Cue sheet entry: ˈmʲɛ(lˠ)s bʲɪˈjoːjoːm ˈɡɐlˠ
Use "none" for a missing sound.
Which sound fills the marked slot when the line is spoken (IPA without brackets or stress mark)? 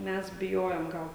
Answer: none